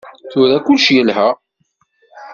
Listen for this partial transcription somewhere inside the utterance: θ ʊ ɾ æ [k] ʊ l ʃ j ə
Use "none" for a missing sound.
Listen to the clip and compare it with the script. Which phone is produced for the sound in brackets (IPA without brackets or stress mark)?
k